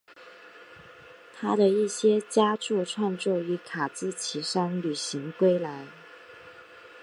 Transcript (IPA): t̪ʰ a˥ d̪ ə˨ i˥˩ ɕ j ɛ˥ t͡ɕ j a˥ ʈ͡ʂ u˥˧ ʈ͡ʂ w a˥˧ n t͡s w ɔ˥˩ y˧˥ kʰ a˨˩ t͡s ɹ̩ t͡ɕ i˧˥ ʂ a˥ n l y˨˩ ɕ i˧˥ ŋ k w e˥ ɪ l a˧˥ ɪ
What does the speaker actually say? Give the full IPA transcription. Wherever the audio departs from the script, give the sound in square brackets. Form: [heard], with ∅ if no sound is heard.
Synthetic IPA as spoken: t̪ʰ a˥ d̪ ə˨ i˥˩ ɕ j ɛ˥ t͡ɕ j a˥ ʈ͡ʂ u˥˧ [ʈ͡ʂʰ] w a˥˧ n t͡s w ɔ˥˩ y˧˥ kʰ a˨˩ t͡s ɹ̩ [t͡ɕʰ] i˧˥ ʂ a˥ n l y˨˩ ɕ i˧˥ ŋ k w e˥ ɪ l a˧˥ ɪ